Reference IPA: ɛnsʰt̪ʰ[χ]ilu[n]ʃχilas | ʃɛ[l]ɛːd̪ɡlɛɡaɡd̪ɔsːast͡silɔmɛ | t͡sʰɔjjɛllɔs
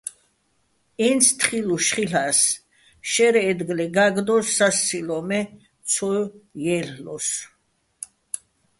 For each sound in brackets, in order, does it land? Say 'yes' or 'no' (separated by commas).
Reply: yes, no, no